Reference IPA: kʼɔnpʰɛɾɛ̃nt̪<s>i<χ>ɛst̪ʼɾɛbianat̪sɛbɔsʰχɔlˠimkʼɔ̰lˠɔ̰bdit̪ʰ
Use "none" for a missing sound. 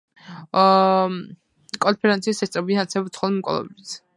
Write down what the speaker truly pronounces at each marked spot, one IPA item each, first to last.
s, s

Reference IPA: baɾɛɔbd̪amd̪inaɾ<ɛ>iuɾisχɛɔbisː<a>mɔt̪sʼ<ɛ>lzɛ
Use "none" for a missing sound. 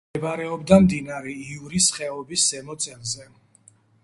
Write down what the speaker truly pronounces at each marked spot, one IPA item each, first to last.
ɛ, ɛ, ɛ

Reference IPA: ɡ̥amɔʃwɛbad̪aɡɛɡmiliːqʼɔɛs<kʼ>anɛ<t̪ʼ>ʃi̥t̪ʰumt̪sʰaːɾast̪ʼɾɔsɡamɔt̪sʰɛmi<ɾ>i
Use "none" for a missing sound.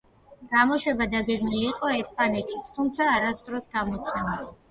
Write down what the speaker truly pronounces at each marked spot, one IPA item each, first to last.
pʼ, t̪, l

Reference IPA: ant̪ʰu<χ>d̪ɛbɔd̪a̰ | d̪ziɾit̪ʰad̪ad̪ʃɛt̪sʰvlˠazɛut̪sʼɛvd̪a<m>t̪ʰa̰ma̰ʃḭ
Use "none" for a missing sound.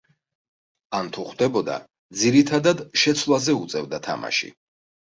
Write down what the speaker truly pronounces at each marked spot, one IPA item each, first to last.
χ, none

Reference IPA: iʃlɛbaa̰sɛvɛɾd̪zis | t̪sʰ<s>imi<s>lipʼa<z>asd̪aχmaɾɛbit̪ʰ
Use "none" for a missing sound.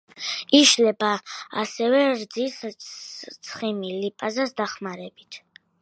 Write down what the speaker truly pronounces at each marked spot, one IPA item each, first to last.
χ, none, z

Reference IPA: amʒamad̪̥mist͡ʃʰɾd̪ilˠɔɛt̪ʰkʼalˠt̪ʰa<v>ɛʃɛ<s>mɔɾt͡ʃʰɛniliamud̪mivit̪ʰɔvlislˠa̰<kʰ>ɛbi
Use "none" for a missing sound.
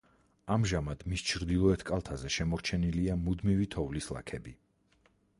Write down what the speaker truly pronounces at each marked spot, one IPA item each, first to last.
z, none, kʰ

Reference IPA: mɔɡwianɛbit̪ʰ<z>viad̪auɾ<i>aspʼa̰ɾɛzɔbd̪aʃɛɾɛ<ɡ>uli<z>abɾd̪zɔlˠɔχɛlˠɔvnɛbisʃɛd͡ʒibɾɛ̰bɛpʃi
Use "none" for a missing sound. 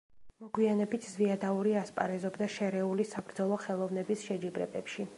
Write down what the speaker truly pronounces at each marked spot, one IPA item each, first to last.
z, i, none, s

